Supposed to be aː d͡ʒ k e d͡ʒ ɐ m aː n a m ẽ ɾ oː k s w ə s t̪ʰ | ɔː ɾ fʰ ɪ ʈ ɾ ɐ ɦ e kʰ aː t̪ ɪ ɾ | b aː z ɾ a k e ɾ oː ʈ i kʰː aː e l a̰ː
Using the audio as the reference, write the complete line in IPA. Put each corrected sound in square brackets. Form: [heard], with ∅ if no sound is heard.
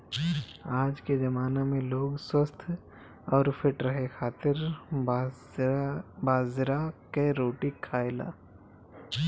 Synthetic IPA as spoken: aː d͡ʒ k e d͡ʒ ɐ m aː n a m ẽ [l] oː [ɡ] s w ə s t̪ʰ | ɔː ɾ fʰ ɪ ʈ ɾ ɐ ɦ e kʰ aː t̪ ɪ ɾ | b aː z ɾ a k e ɾ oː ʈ i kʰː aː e l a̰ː